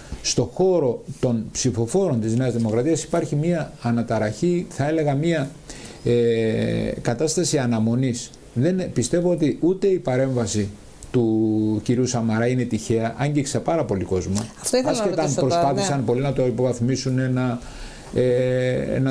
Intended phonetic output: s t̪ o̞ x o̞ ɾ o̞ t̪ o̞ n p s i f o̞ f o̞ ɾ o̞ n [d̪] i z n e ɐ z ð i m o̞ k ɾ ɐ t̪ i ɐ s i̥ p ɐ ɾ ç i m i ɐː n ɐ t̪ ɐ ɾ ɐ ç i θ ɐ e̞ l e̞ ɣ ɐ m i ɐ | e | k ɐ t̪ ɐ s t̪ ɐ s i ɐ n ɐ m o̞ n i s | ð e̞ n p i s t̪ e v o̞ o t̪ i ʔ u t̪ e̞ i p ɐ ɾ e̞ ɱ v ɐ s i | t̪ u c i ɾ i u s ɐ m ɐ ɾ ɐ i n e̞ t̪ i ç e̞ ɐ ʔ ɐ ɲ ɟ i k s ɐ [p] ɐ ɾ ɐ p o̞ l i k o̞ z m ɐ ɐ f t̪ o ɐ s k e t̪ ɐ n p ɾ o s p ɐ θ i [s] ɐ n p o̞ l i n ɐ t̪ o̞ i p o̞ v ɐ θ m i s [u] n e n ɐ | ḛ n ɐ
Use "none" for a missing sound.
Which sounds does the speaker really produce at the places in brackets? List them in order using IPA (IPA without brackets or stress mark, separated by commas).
t̪, p, s, u